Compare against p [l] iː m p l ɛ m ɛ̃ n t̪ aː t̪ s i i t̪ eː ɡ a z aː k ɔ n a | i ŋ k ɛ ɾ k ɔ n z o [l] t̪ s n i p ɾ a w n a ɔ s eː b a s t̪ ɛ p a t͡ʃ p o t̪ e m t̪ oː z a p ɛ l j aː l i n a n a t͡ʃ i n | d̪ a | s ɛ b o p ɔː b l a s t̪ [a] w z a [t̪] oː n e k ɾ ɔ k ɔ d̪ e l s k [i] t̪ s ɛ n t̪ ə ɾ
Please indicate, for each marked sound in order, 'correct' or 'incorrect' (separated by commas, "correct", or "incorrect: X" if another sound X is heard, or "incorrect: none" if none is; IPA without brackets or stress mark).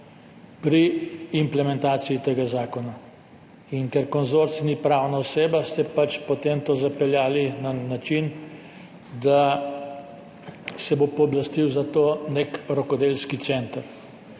incorrect: ɾ, incorrect: ɾ, incorrect: i, correct, correct